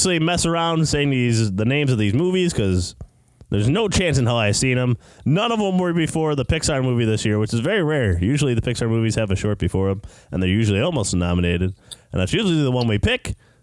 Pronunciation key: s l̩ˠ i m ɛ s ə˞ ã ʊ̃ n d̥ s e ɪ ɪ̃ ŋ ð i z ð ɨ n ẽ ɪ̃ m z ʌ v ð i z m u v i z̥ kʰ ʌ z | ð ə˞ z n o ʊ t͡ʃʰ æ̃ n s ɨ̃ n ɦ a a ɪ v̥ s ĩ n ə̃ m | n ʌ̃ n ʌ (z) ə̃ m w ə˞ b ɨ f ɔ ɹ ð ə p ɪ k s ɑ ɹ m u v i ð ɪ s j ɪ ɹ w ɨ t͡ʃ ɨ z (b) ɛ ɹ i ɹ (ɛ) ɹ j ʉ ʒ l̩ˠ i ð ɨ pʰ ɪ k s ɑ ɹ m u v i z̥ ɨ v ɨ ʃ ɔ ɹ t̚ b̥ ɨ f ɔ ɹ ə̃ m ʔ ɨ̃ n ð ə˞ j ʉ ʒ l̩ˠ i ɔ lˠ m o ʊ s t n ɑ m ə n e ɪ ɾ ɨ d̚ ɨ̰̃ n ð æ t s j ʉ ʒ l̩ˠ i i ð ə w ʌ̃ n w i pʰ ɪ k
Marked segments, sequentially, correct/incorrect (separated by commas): incorrect, incorrect, correct